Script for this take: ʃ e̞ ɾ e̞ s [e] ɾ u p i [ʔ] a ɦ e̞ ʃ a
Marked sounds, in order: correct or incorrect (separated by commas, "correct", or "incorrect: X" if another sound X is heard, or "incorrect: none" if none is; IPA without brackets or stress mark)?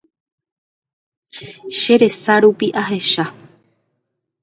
incorrect: a, correct